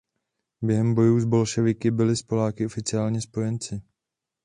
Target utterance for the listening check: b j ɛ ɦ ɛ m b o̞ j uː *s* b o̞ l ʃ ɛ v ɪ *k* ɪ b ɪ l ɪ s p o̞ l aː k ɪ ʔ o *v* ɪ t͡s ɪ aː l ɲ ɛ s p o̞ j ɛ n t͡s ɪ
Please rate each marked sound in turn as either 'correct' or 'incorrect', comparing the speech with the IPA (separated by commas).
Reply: incorrect, correct, incorrect